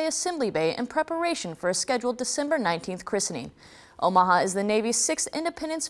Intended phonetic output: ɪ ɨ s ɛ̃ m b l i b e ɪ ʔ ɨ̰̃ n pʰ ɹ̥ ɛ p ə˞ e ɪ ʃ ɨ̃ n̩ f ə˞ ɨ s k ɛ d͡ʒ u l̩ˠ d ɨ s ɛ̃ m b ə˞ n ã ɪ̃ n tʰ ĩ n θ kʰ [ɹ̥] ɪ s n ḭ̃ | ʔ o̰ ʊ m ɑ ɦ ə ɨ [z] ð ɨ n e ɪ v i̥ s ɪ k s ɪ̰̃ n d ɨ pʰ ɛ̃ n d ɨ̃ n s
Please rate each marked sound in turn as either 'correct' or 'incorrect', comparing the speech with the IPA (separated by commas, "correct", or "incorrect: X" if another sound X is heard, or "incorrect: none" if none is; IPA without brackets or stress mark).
correct, correct